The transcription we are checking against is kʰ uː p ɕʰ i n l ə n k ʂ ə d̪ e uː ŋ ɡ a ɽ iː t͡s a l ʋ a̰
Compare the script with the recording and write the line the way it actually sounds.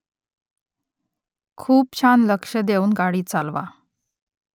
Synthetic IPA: kʰ uː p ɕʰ a n l ə k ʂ ə d̪ e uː n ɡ a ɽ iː t͡s a l ʋ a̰